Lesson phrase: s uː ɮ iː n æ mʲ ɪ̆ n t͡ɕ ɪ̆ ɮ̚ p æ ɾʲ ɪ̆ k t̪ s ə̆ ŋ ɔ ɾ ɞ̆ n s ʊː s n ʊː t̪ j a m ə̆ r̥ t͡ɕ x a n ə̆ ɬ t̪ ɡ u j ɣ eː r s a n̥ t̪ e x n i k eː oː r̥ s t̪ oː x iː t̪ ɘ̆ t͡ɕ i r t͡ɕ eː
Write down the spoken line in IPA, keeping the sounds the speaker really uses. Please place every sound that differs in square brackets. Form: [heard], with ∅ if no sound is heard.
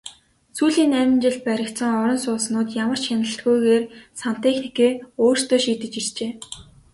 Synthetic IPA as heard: s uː ɮ iː n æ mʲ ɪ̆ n t͡ɕ ɪ̆ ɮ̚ p æ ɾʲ ɪ̆ k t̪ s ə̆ ŋ ɔ ɾ ɞ̆ n s ʊː s n ʊː t̪ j a m ə̆ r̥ t͡ɕ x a n ə̆ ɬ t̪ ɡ u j ɣ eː r s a n̥ t̪ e x n i k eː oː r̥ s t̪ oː [ʃ] iː t̪ ɘ̆ t͡ɕ i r t͡ɕ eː